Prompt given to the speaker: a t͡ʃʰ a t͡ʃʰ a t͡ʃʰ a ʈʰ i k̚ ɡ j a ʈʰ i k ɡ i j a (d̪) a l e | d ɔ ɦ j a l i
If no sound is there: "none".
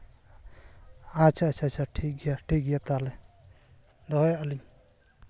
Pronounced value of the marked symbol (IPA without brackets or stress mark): t̪